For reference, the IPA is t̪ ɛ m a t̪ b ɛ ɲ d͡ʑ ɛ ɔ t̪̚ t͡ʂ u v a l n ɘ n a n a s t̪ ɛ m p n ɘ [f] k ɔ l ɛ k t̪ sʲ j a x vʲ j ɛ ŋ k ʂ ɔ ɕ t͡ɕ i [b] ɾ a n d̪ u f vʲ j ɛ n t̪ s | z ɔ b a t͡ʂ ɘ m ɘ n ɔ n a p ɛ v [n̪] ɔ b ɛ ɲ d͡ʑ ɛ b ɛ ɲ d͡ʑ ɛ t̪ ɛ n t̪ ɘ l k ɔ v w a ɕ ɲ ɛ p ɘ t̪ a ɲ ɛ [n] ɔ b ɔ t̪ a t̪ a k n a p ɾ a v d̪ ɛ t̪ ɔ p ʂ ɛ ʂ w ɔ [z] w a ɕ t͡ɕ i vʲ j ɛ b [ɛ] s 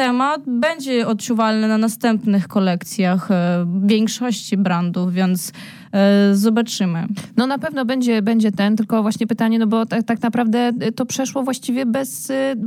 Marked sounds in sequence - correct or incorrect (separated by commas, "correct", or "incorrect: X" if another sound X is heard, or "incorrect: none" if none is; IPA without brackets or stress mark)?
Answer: incorrect: x, correct, correct, correct, incorrect: v, correct